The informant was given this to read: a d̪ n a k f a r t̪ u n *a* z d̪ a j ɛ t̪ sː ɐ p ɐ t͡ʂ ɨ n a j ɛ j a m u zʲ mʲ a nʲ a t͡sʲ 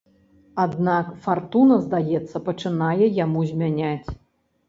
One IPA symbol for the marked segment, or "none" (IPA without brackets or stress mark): ɐ